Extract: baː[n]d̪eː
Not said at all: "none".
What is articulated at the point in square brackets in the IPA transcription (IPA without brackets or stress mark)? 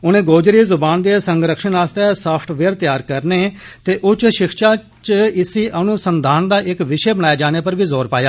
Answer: n